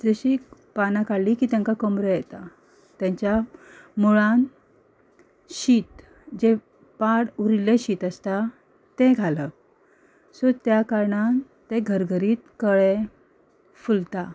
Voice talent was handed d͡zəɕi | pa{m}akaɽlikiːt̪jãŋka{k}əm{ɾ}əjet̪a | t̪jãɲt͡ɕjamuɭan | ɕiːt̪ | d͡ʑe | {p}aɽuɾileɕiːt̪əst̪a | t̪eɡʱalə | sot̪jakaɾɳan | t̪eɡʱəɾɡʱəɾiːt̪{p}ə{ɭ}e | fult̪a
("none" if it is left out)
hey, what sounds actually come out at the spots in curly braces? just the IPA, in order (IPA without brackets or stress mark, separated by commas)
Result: n, k, ɾ, p, k, ɭ